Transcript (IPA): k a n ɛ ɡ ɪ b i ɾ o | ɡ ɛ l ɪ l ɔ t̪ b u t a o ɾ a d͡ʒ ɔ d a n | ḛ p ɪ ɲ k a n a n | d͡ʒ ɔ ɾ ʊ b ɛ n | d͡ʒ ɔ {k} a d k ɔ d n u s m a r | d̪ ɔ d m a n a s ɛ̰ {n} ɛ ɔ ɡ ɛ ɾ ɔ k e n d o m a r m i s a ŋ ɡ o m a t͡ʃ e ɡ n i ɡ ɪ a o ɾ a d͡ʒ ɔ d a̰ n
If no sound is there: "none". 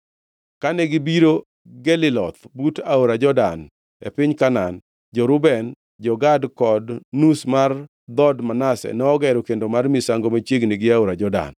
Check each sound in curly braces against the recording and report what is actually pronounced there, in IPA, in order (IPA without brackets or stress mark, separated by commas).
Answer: ɡ, n